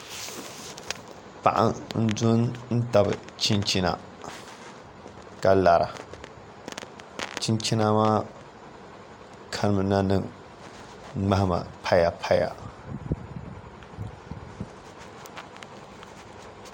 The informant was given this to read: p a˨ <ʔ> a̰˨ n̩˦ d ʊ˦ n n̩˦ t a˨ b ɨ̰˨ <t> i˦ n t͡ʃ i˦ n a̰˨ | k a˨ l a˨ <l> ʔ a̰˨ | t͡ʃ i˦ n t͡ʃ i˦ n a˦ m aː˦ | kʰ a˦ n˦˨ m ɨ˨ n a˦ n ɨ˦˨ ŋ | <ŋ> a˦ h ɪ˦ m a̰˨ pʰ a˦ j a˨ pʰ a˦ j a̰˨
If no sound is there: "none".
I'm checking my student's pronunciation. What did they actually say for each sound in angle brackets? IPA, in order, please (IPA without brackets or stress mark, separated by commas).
ʔ, t͡ʃ, ɾ, ŋ͡m